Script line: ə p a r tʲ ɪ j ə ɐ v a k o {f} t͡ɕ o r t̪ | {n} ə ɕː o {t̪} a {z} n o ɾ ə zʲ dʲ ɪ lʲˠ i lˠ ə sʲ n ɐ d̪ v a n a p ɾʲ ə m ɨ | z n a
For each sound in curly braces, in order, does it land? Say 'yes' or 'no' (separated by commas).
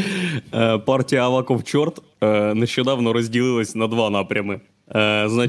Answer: yes, yes, no, no